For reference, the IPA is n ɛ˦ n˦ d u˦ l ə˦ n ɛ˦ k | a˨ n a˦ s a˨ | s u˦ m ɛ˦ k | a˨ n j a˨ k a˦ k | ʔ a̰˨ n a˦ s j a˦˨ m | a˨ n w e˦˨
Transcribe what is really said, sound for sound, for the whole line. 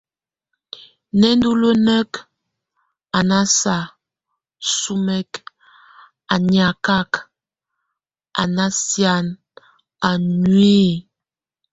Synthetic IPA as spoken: n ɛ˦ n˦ d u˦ l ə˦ n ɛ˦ k | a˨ n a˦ s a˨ | s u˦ m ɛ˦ k | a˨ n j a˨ k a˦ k | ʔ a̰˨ n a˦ s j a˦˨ n | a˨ n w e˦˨